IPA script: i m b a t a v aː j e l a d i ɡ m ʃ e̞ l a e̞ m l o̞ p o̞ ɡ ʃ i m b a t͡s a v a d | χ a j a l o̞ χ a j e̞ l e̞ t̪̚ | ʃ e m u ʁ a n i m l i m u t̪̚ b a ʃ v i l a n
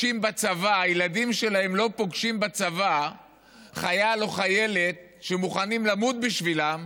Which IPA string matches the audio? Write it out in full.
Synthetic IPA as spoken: i m b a t͡s a v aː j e l a d i m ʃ e̞ l a e̞ m l o̞ p o̞ ɡ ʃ i m b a t͡s a v a | χ a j a l o̞ χ a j e̞ l e̞ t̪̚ | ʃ e m u χ a n i m l a m u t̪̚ b i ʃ v i l a m